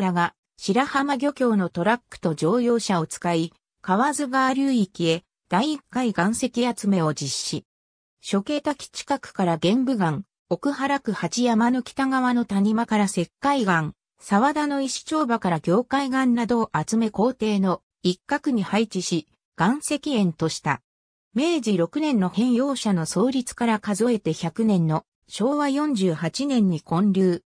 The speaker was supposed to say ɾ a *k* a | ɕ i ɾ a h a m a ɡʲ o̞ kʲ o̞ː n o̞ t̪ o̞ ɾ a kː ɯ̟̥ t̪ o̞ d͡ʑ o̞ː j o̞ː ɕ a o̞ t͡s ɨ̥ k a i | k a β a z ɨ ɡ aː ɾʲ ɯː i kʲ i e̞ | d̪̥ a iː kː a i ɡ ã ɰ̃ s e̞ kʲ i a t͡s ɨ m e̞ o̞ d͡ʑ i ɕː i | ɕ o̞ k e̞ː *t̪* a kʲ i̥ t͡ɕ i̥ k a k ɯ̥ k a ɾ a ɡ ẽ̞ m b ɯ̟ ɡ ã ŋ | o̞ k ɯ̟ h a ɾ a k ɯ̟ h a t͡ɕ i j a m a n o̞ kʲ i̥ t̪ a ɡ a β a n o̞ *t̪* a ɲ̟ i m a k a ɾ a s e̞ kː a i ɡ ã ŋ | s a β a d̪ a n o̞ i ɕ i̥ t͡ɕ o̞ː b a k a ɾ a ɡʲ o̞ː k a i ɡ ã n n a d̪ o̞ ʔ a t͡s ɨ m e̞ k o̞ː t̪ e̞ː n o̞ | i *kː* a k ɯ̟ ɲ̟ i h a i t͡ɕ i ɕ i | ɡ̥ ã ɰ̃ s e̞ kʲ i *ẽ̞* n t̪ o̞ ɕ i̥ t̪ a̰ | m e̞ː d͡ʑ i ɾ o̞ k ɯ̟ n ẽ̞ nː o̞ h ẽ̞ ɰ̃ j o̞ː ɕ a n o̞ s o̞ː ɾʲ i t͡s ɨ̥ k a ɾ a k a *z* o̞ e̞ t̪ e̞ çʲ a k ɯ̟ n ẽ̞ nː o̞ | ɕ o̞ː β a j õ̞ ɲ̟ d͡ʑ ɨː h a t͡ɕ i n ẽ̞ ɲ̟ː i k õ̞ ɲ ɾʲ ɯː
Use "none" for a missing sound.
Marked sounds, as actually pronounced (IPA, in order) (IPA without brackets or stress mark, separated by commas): ɡ, t̪, t̪, kː, ẽ̞, z